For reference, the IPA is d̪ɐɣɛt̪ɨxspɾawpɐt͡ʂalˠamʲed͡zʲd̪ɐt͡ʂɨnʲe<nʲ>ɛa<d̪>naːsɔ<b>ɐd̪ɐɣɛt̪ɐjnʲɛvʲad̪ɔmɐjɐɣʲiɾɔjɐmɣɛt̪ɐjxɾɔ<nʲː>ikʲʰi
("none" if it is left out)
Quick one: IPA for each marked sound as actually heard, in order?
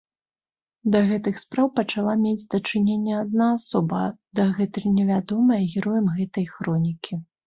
nʲː, d̪, b, nʲ

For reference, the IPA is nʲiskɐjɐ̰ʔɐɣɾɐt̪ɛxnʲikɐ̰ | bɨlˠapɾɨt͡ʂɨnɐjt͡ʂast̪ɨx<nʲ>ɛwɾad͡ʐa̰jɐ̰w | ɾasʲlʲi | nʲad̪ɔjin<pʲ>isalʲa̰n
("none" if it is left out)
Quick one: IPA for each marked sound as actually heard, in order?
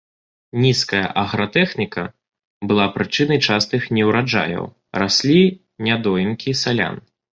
nʲ, kʲ

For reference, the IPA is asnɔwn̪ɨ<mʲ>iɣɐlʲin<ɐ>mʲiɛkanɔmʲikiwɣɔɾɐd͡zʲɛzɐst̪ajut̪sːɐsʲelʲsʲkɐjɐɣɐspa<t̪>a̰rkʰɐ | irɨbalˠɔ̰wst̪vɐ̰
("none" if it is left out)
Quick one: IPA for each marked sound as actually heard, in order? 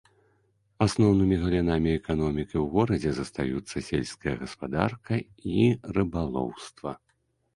mʲ, a, d̪

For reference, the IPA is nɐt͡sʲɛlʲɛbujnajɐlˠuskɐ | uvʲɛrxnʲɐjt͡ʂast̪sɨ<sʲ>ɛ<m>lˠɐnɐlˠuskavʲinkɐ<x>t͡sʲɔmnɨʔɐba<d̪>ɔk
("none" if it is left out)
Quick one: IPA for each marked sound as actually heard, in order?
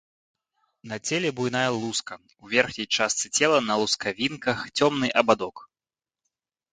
t͡sʲ, none, x, d̪

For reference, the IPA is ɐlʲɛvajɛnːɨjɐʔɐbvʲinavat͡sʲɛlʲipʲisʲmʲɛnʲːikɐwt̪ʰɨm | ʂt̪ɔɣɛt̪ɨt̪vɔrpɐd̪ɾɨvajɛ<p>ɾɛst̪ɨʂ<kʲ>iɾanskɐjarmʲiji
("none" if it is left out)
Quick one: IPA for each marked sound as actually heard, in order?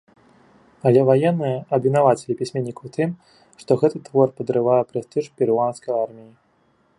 p, pʲ

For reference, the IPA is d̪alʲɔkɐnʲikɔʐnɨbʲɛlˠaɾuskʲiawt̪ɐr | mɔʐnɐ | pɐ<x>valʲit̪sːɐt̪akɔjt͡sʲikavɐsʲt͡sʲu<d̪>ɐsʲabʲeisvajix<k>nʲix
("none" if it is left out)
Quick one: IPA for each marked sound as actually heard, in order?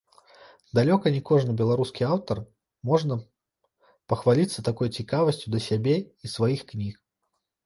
x, d̪, k

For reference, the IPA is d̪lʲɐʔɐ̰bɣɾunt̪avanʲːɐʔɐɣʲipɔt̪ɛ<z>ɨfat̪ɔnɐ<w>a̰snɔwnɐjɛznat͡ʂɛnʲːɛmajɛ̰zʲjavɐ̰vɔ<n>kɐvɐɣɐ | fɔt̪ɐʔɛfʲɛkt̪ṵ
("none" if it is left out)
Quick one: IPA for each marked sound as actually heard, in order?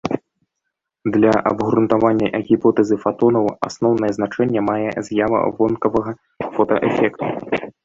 z, w, n

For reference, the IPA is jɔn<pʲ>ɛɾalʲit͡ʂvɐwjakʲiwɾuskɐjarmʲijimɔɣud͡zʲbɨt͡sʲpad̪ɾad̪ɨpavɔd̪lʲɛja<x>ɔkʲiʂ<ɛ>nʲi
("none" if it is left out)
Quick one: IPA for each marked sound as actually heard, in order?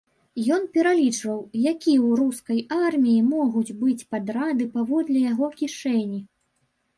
pʲ, ɣ, ɛ

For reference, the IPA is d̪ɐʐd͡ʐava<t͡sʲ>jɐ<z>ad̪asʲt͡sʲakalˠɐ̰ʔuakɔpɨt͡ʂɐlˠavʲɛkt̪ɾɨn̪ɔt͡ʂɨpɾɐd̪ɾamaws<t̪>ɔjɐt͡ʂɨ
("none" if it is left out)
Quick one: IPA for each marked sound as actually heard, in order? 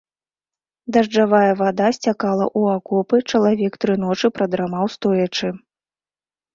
none, v, t̪

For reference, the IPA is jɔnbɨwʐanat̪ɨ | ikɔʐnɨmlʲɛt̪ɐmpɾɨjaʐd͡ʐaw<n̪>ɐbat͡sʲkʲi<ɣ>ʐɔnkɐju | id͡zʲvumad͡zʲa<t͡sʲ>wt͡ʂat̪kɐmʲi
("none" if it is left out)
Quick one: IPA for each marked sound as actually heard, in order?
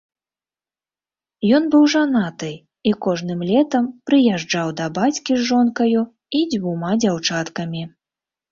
d̪, z, none

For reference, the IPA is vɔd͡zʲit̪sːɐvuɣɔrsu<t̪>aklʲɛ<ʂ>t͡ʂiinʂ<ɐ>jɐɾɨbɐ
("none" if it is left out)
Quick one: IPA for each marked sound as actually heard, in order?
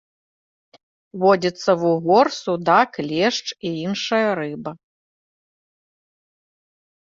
d̪, ʂ, ɐ

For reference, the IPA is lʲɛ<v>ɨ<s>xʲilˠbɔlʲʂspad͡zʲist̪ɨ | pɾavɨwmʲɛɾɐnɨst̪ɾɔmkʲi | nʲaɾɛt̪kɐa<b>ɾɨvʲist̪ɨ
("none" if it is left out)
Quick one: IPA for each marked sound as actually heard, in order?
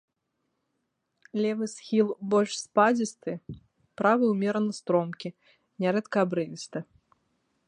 v, s, b

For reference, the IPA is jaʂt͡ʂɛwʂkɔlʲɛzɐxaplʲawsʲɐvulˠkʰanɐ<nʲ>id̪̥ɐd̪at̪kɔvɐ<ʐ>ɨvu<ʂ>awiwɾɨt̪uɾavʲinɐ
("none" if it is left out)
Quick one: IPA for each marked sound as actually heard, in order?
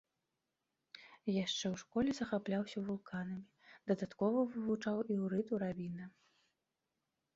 mʲ, v, t͡ʂ

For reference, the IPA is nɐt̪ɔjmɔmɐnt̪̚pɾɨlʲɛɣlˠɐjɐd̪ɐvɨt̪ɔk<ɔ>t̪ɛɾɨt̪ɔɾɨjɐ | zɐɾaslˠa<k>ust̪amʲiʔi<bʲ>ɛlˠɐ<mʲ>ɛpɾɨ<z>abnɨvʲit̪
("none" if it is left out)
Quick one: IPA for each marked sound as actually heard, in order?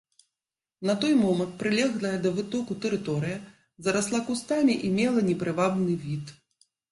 u, k, mʲ, nʲ, v

